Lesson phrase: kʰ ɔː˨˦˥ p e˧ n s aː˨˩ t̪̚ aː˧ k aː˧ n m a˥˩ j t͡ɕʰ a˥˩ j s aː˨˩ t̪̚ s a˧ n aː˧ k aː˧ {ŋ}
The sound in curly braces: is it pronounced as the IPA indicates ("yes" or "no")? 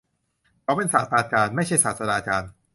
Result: no